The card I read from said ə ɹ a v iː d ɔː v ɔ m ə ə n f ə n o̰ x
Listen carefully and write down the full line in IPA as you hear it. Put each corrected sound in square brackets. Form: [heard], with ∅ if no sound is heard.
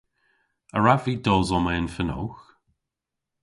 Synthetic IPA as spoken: ə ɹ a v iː d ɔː [z] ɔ m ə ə n f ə n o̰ x